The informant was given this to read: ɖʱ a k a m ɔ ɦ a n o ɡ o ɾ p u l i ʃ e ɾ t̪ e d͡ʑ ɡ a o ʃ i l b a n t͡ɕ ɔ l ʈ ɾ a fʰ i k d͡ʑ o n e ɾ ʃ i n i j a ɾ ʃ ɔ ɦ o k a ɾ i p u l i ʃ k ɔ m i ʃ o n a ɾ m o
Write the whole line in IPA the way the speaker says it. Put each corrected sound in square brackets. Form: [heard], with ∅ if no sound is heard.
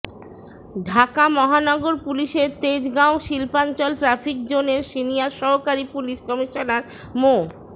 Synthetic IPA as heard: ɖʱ a k a m ɔ ɦ a n [ɔ] ɡ o ɾ p u l i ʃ e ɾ t̪ e d͡ʑ ɡ a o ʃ i l [p] a n t͡ɕ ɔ l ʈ ɾ a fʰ i k d͡ʑ o n e ɾ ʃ i n i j a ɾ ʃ ɔ ɦ o k a ɾ i p u l i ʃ k ɔ m i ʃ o n a ɾ m o